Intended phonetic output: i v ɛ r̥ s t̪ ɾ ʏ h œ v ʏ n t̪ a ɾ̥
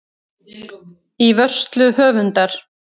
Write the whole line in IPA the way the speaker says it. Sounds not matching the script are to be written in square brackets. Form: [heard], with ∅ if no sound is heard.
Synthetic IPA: i v [œ] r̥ s t̪ [l] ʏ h [œː] v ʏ n t̪ a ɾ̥